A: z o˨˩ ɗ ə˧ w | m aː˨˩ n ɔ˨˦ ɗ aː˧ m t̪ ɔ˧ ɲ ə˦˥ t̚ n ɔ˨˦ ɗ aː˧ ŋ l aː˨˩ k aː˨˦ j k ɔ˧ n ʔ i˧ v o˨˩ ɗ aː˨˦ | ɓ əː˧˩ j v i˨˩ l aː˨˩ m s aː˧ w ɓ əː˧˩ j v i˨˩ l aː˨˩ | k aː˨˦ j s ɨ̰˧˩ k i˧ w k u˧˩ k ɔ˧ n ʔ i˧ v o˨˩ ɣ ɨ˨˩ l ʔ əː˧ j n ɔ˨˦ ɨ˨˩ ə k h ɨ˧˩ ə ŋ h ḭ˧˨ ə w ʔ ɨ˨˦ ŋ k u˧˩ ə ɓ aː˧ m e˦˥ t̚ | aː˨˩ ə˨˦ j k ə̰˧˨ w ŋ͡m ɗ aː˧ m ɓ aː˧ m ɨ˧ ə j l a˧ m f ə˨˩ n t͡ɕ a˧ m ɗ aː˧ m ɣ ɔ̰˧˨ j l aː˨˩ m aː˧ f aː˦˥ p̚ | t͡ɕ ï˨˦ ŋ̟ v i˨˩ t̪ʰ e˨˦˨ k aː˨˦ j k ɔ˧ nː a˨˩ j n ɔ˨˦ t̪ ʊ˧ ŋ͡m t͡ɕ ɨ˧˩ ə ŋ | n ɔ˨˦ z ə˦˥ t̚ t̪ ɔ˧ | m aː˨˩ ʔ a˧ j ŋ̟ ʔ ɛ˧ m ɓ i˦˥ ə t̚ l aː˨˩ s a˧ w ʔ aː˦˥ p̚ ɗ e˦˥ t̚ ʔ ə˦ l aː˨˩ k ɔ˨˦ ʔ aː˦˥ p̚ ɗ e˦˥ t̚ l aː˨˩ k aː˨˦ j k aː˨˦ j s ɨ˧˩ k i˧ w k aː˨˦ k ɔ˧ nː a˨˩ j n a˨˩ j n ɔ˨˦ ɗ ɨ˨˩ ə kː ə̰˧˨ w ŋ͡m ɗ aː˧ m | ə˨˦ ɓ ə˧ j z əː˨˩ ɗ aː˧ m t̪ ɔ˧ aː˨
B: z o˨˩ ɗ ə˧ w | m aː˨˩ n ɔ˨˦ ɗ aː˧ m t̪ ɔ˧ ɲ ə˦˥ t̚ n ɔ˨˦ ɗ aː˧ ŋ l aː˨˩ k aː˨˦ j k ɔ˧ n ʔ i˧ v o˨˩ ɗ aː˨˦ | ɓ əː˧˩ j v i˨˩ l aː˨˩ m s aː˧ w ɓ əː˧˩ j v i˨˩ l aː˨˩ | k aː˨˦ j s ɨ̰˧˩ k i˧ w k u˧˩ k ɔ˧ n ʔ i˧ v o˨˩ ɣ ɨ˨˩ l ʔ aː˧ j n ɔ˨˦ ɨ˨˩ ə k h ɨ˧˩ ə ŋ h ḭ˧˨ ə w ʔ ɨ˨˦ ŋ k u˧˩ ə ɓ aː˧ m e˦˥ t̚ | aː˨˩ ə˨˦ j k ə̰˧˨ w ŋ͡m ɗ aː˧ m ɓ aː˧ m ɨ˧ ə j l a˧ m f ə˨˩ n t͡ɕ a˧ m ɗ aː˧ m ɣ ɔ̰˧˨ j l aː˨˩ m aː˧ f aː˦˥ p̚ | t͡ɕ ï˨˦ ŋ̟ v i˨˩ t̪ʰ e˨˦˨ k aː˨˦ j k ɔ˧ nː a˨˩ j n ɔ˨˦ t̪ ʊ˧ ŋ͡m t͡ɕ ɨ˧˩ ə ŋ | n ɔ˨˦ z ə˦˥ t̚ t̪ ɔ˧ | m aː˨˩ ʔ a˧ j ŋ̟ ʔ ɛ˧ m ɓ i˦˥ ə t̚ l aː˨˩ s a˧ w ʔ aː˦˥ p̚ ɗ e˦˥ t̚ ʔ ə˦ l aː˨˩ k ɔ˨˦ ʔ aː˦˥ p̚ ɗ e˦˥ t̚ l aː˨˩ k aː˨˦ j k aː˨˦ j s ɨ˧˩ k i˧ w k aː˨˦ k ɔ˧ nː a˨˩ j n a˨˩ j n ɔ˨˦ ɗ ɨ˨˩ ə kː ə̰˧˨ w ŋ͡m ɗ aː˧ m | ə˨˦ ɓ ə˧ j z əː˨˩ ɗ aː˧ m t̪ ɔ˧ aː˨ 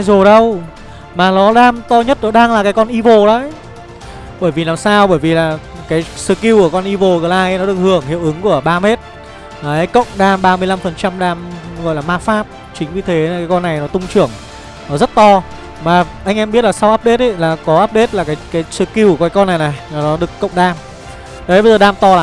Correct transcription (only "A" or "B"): B